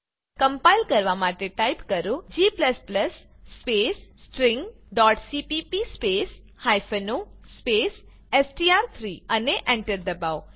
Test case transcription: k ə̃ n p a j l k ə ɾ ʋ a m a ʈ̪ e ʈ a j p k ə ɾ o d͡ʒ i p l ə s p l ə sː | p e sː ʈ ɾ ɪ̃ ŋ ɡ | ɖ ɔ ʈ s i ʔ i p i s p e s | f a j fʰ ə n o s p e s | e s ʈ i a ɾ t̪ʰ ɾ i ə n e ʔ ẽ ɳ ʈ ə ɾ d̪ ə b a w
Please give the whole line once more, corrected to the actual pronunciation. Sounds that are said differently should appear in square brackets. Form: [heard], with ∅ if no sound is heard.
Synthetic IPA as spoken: k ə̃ [m] p a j l k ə ɾ ʋ a m a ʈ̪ e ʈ a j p k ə ɾ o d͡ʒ i p l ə s p l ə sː | p e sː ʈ ɾ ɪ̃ ŋ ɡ | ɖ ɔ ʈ s i [p] i p i s p e s | [h] a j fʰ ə n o s p e s | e s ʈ i a ɾ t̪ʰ ɾ i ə n e ʔ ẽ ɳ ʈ ə ɾ d̪ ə b a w